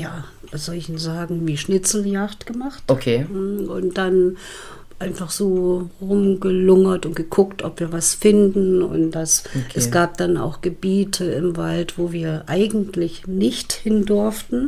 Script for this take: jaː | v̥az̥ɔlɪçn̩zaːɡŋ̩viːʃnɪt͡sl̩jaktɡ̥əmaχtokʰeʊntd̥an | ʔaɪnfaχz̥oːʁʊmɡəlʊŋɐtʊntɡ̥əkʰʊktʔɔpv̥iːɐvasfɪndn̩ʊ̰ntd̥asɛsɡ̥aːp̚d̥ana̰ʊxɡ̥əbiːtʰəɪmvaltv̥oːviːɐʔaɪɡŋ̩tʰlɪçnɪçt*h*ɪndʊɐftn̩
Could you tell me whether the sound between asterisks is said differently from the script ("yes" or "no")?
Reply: no